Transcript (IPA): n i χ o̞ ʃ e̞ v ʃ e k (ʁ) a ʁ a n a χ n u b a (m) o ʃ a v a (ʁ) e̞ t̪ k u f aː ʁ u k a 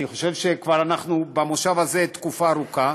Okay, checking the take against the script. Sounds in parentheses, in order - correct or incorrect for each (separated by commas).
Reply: incorrect, correct, incorrect